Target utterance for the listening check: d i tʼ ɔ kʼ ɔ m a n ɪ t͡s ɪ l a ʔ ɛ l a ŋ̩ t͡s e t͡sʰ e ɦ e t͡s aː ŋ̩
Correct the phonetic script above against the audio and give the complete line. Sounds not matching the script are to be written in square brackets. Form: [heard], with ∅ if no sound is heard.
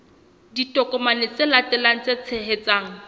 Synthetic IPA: d i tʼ ɔ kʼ ɔ m a n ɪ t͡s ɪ l a [t] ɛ l a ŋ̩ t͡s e t͡sʰ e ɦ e t͡s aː ŋ̩